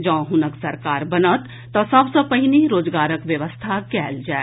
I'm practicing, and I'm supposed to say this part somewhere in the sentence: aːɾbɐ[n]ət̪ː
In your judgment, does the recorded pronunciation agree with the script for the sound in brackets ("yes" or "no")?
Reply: yes